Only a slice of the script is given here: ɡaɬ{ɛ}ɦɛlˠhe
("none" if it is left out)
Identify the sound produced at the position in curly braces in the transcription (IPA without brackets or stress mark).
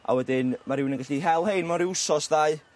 i